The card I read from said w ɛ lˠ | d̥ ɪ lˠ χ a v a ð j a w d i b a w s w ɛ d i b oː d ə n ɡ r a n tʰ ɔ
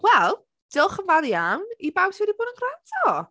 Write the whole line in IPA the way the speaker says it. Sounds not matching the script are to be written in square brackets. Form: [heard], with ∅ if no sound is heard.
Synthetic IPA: w ɛ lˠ | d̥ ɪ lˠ χ [ə] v a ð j a w [n] i b a w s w ɛ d i b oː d ə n ɡ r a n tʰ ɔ